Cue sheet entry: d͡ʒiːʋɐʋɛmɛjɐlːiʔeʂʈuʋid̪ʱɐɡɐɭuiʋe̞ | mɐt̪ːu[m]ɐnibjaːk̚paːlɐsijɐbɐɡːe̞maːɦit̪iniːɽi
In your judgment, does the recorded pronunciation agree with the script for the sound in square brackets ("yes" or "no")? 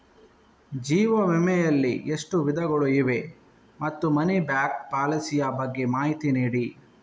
yes